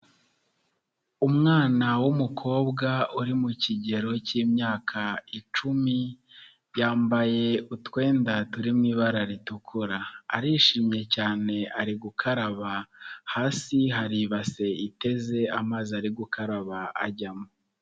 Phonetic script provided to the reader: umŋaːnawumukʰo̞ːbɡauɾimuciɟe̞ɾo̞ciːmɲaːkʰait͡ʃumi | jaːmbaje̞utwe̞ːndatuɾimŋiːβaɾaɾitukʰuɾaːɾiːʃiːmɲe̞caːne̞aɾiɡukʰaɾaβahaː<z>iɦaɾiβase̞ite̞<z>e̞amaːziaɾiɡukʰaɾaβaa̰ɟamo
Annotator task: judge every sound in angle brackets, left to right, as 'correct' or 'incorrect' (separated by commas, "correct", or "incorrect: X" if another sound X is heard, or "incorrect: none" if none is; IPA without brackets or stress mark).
incorrect: s, correct